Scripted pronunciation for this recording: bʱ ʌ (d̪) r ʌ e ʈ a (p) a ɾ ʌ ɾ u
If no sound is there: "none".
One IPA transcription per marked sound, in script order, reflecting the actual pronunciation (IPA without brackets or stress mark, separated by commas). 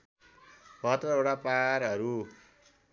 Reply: t̪, p